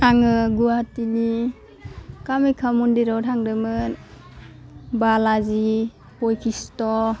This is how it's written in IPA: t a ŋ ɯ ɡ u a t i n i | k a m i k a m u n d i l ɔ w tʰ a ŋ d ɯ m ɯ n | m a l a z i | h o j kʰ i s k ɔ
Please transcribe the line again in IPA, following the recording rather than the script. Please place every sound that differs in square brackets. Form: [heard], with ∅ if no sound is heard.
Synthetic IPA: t a ŋ ɯ ɡ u a t i n i | k a m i [kʰ] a m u n d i [ɾ] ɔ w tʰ a ŋ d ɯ m ɯ n | [b] a l a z i | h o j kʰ i s [t] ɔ